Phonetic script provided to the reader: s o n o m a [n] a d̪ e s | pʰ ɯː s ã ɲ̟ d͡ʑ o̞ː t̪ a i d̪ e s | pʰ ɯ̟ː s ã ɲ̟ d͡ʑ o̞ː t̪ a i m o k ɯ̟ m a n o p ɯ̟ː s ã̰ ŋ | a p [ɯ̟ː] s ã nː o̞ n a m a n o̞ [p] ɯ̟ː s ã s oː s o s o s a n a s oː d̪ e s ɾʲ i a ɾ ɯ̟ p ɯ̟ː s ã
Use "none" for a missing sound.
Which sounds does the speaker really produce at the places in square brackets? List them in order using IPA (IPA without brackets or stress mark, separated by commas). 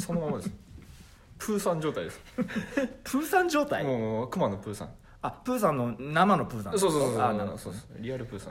m, ɯ̟ː, p